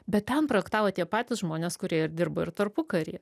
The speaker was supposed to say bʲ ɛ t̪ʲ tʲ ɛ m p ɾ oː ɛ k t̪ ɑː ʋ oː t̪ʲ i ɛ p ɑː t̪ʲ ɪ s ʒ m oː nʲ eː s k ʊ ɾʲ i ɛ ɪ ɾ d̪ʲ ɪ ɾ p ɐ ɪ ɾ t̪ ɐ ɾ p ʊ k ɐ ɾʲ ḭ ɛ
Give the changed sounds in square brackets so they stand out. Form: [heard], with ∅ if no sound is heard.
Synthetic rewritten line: bʲ ɛ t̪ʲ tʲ ɛ [n] p ɾ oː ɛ k t̪ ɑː ʋ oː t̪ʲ i ɛ p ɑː t̪ʲ ɪ s ʒ m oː nʲ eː s k ʊ ɾʲ i ɛ ɪ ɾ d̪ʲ ɪ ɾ [b] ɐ ɪ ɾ t̪ ɐ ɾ p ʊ k ɐ ɾʲ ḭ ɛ